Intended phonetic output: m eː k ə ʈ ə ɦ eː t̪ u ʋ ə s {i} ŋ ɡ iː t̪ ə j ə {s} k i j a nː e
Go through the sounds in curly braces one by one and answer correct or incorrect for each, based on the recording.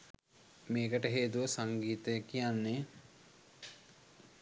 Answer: incorrect: a, incorrect: none

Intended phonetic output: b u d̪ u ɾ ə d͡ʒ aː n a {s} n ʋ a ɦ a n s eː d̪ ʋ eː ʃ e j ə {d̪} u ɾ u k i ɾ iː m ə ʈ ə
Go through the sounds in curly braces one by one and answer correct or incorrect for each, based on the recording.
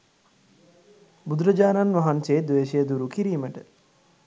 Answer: incorrect: none, correct

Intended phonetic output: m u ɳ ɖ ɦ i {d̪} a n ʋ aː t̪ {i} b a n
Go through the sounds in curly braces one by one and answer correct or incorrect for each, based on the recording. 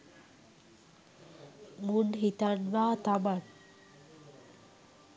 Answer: incorrect: t̪, incorrect: a

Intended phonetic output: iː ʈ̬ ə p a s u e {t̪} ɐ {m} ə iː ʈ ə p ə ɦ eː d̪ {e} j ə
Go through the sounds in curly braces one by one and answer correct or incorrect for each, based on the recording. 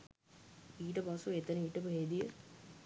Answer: correct, incorrect: n, incorrect: i

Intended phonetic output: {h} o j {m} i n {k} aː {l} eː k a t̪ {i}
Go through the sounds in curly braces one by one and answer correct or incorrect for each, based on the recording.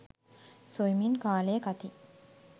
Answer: incorrect: s, correct, correct, correct, correct

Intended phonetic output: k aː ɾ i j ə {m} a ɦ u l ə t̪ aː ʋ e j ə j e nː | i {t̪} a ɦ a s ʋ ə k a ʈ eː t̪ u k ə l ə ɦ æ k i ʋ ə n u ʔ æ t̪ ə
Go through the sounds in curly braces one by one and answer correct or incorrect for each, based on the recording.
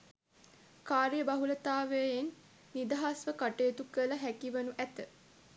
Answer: incorrect: b, incorrect: d̪

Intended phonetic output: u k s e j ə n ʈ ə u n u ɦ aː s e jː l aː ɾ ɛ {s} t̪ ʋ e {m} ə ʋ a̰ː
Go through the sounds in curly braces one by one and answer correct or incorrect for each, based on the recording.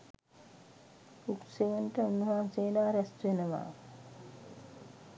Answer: correct, incorrect: n

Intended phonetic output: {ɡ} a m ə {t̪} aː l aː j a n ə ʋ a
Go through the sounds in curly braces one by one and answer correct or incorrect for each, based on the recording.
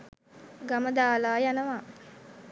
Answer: correct, incorrect: d̪

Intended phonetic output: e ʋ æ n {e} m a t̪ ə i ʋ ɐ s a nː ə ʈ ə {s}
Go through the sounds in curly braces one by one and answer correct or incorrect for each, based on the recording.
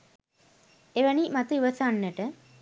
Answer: incorrect: i, incorrect: none

